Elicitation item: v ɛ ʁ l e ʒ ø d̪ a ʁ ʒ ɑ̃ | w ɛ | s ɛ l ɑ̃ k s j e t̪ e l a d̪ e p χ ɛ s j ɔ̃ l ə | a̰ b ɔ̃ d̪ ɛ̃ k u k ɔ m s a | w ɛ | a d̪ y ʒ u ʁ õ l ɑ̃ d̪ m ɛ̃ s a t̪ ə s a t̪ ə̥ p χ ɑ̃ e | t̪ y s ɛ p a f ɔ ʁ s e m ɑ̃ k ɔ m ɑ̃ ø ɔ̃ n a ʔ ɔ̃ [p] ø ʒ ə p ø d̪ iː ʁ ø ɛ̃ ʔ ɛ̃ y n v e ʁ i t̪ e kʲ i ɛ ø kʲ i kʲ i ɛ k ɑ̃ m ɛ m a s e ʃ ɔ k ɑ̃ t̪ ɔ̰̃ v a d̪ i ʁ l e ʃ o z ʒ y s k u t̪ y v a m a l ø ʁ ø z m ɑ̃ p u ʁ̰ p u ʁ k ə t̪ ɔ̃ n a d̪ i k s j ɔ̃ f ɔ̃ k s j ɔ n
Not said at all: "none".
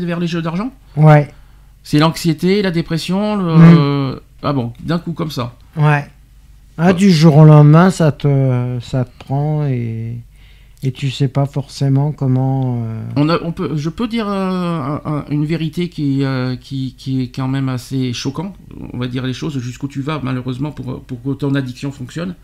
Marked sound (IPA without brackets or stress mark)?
p